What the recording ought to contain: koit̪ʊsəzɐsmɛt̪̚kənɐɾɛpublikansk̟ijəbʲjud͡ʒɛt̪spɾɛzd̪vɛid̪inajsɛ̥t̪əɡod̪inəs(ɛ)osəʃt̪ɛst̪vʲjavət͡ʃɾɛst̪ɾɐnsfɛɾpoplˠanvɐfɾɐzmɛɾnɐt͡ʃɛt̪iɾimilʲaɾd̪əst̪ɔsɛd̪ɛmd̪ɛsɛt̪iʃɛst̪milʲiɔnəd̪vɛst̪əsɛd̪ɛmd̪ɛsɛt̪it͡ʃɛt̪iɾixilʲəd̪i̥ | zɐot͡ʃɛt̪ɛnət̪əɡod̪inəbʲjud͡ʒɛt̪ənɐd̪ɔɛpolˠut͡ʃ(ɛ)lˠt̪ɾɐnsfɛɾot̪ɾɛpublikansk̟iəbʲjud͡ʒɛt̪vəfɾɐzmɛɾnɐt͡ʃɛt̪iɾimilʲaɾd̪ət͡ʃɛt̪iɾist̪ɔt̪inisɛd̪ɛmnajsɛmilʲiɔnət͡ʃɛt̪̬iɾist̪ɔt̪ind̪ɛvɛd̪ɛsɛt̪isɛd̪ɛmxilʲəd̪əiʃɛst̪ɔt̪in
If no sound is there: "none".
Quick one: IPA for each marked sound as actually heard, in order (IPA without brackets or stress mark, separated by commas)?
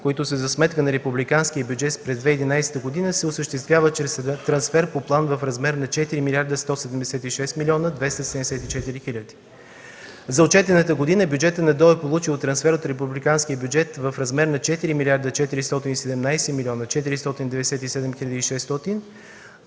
ɛ, i